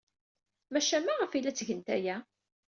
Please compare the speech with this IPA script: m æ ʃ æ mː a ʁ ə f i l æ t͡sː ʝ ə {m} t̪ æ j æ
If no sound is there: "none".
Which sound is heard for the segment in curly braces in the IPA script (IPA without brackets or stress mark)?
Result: n